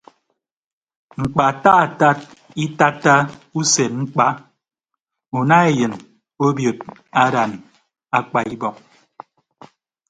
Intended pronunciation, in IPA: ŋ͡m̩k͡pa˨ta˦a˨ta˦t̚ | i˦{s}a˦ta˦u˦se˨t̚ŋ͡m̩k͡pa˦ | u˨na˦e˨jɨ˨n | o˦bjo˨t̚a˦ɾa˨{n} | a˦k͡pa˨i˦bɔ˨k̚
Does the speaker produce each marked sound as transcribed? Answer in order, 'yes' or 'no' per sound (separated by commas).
no, yes